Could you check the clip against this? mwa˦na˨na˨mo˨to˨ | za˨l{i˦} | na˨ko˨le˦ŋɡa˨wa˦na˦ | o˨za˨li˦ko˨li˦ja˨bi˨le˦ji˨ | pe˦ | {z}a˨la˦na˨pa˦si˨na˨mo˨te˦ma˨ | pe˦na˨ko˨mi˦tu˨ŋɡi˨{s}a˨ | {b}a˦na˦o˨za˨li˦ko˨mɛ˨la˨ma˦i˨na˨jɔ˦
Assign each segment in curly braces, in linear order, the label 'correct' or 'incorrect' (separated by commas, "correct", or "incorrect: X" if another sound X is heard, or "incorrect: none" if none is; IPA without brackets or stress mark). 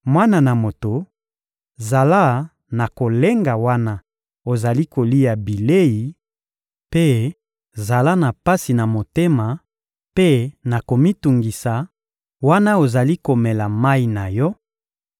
incorrect: a˦, correct, correct, incorrect: w